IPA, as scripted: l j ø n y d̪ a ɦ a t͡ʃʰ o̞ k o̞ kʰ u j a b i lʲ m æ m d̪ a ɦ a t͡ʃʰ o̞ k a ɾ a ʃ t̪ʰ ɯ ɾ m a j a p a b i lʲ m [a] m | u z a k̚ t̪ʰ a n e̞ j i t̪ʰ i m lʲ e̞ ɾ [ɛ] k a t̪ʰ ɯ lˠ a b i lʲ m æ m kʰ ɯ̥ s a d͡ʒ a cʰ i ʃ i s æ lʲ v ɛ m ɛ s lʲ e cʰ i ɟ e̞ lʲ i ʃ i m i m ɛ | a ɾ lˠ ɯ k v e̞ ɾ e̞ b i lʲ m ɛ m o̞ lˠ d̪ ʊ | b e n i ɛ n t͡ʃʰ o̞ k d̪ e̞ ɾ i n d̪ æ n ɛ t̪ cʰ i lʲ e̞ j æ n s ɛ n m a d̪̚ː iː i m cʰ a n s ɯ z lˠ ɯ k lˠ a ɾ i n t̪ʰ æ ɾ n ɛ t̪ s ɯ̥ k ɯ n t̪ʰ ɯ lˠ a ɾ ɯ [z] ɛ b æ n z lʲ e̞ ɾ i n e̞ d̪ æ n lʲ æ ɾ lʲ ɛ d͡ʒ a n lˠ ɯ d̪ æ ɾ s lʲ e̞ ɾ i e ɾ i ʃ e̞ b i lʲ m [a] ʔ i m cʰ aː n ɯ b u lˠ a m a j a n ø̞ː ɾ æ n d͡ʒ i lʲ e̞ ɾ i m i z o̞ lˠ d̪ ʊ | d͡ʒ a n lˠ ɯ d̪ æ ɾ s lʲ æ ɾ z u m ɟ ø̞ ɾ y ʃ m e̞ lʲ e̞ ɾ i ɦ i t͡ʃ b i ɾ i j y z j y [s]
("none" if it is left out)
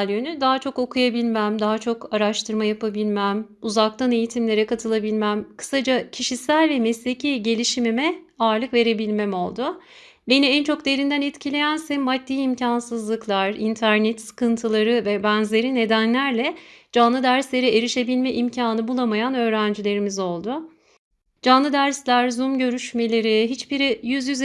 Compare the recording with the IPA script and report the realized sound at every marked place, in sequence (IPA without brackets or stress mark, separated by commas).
æ, ɛ, v, ɛ, z